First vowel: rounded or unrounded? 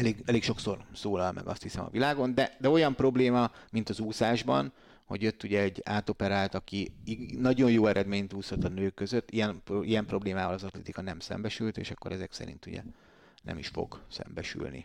unrounded